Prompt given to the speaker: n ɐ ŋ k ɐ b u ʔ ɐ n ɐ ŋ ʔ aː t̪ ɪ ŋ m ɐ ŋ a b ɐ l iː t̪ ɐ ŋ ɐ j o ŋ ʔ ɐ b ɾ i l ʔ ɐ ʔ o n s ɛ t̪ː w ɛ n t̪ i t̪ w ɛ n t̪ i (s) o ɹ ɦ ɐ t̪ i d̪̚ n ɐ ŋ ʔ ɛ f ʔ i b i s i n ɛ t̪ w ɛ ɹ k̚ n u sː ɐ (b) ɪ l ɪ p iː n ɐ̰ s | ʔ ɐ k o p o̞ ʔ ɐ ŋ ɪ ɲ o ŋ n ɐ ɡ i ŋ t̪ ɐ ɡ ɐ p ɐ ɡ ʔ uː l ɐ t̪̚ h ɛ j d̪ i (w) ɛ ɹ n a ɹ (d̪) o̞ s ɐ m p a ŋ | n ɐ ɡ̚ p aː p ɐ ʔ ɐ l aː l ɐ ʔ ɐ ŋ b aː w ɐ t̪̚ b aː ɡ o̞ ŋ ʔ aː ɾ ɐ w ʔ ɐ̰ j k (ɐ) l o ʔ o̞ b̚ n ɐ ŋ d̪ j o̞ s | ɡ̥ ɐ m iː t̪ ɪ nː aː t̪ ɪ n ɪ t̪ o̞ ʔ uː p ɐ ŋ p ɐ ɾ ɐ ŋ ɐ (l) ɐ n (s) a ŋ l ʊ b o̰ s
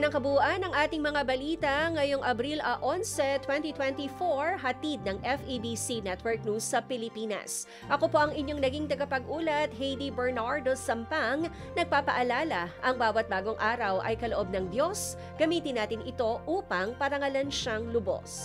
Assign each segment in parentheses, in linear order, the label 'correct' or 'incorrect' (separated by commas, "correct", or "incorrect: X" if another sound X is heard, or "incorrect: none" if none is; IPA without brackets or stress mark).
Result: incorrect: f, incorrect: p, incorrect: b, correct, correct, correct, incorrect: ʃ